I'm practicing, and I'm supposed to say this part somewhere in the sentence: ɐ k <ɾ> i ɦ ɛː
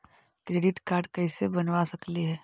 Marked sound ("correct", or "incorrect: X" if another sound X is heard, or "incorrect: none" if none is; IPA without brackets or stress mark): incorrect: l